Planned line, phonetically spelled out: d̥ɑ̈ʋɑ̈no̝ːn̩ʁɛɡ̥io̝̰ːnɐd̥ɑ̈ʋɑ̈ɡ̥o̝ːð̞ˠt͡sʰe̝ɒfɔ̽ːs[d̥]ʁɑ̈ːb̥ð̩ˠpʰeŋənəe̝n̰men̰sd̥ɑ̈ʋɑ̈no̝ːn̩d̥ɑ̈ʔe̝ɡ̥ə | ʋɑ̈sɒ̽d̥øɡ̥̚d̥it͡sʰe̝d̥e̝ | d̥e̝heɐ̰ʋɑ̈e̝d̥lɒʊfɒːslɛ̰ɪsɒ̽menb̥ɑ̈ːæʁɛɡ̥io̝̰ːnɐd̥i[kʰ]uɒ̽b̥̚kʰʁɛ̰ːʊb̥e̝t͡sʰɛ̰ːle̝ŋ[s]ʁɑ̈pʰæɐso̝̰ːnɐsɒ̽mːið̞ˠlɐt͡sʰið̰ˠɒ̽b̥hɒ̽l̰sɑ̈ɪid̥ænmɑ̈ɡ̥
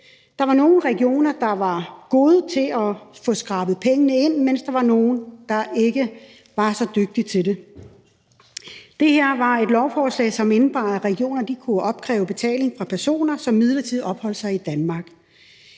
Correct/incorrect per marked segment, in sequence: incorrect: ɡ̥, correct, incorrect: f

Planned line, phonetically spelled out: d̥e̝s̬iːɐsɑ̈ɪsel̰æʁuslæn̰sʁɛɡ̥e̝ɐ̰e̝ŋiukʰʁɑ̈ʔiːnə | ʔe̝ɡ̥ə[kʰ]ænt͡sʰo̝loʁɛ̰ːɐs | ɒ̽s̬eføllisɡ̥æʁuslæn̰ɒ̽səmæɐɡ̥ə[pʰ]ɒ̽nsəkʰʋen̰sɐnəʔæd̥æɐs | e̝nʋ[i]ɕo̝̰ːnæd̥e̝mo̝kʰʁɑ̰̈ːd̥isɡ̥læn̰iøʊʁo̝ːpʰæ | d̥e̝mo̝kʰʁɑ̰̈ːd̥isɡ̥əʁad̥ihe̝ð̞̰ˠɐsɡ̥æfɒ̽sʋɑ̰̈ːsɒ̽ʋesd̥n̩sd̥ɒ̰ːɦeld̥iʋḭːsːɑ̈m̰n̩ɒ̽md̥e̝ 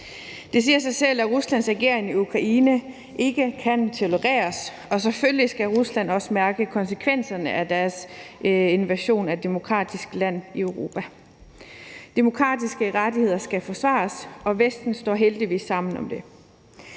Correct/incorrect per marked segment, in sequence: correct, incorrect: kʰ, incorrect: æ

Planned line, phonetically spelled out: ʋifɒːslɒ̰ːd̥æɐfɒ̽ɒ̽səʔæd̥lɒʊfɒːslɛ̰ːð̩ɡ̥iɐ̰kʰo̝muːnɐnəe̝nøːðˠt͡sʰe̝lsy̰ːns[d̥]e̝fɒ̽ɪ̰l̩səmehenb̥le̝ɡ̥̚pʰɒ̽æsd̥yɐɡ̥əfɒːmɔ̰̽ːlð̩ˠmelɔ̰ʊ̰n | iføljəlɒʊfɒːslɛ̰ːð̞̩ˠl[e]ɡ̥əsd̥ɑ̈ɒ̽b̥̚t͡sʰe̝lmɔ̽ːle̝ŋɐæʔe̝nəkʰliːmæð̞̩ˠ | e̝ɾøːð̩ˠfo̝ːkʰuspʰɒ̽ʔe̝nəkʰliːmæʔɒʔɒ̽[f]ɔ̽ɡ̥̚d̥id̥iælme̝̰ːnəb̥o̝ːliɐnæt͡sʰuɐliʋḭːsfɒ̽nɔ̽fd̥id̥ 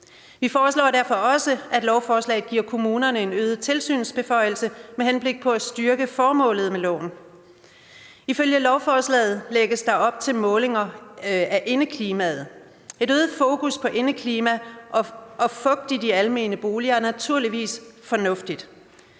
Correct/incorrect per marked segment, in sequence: incorrect: b̥, correct, correct

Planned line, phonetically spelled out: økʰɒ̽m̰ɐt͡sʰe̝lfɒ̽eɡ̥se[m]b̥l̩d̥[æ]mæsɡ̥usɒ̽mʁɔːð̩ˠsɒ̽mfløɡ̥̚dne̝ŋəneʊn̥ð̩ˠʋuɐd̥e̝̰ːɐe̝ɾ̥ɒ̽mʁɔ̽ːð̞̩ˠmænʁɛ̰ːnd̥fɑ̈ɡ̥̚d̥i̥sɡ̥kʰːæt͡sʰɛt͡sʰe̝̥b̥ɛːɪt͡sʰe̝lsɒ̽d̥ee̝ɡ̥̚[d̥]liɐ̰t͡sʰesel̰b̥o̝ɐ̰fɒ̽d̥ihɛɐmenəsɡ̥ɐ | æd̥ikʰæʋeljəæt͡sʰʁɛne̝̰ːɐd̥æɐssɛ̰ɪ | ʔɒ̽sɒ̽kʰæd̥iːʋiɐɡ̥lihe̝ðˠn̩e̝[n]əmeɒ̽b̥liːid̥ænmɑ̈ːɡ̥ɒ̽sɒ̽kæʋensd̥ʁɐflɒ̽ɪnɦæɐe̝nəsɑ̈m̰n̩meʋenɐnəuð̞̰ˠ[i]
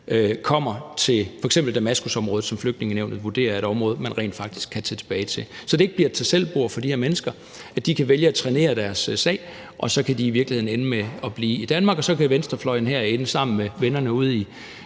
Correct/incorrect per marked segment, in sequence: correct, correct, incorrect: b̥, correct, correct

